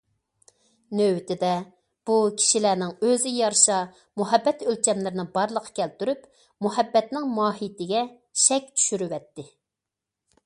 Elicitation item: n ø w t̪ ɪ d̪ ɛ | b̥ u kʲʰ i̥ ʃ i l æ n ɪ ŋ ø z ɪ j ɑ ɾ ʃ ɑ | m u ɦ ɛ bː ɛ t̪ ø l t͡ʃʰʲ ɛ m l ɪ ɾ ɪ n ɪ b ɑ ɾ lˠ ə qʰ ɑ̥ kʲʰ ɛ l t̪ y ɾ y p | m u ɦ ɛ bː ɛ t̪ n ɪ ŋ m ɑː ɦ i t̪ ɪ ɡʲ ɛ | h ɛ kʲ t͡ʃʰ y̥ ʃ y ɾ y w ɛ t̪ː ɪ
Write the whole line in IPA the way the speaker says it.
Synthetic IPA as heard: n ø w t̪ ɪ d̪ ɛ | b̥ u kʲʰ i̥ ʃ i l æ n ɪ ŋ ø z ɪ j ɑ ɾ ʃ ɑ | m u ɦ ɛ bː ɛ t̪ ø l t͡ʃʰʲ ɛ m l ɪ ɾ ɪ n ɪ b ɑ ɾ lˠ ə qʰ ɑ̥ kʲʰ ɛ l t̪ y ɾ y p | m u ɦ ɛ bː ɛ t̪ n ɪ ŋ m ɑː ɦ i t̪ ɪ ɡʲ ɛ | ʃ ɛ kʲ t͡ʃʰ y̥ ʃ y ɾ y w ɛ t̪ː ɪ